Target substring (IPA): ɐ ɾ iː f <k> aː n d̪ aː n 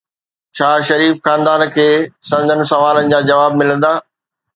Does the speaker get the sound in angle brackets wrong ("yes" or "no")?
yes